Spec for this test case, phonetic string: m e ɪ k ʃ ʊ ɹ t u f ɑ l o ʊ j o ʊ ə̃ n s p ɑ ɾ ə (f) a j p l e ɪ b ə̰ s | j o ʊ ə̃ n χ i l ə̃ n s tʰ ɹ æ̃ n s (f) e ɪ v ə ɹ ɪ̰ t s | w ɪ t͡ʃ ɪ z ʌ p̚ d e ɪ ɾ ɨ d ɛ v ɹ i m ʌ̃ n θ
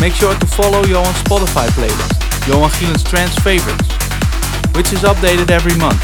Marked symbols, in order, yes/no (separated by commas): yes, yes